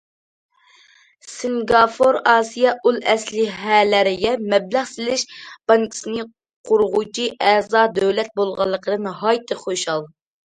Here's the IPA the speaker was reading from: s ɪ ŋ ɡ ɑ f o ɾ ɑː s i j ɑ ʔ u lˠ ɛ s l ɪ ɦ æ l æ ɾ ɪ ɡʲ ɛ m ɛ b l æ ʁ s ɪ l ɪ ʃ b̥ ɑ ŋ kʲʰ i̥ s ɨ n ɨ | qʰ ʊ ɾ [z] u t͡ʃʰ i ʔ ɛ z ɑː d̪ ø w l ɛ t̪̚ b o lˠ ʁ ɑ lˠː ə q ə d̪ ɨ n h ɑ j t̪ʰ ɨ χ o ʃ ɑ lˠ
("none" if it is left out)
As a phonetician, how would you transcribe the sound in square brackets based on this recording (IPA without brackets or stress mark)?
ʁ